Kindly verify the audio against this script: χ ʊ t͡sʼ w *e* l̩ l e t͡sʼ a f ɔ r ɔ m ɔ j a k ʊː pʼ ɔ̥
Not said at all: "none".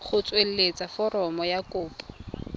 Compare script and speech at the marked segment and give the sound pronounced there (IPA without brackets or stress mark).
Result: e